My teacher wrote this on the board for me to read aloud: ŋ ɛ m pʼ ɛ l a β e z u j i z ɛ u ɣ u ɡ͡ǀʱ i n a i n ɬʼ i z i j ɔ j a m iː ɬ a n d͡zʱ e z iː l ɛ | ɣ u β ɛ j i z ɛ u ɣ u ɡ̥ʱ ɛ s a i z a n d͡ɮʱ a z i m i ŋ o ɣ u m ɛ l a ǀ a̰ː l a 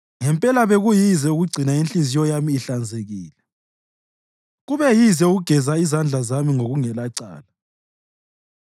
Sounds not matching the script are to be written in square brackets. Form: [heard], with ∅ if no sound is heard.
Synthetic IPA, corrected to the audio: ŋ ɛ m pʼ ɛ l a β e [ɣ] u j i z ɛ u ɣ u ɡ͡ǀʱ i n a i n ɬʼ i z i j ɔ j a m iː ɬ a n d͡zʱ e [ɣ] iː l ɛ | ɣ u β ɛ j i z ɛ u ɣ u ɡ̥ʱ ɛ [z] a i z a n d͡ɮʱ a z [a] m i ŋ o ɣ u [ŋ] ɛ l a ǀ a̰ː l a